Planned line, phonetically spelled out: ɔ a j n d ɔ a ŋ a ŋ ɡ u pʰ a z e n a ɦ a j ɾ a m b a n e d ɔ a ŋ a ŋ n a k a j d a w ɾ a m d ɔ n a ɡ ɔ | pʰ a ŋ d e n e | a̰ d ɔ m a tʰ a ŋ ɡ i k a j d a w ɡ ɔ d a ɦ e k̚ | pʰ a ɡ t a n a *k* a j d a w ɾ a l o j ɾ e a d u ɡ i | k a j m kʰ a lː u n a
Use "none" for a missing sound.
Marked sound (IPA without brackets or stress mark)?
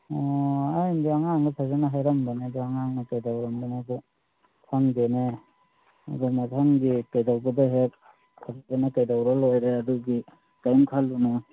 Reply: k